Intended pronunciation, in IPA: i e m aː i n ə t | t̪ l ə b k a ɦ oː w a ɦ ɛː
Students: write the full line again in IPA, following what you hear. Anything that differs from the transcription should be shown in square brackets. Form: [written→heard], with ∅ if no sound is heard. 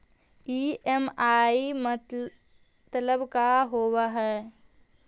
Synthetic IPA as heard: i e m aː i [n→m] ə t | t̪ l ə b k a ɦ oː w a ɦ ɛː